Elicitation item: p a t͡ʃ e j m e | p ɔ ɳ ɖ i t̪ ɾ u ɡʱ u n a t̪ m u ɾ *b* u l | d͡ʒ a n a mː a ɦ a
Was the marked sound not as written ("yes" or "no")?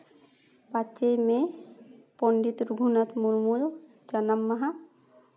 yes